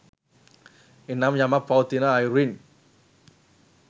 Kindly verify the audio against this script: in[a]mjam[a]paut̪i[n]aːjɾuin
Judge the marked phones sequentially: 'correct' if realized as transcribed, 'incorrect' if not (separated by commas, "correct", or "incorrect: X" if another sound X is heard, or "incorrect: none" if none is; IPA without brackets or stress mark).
correct, correct, correct